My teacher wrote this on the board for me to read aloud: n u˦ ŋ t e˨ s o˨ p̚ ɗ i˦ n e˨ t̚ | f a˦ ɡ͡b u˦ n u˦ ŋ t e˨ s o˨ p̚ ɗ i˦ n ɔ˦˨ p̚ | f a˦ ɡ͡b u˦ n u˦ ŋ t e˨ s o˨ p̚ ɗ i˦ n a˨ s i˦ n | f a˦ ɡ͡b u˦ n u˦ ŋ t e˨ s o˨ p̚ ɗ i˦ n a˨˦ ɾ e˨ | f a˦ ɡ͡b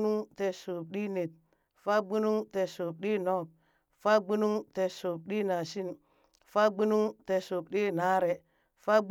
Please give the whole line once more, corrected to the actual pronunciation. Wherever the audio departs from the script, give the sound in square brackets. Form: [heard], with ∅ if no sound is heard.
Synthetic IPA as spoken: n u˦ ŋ t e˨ s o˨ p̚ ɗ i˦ n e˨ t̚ | f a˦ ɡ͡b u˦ n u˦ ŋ t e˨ s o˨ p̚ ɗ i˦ n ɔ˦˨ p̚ | f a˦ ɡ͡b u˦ n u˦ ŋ t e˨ s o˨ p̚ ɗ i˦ n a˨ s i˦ n | f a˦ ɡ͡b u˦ n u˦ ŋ t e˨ s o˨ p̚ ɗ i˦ n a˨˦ ɾ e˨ | f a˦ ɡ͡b